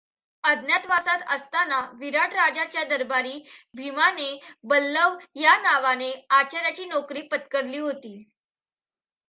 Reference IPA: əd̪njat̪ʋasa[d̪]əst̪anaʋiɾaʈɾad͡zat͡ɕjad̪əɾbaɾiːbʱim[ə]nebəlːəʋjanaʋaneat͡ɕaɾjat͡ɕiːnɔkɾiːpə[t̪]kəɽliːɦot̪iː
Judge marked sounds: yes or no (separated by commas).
no, no, yes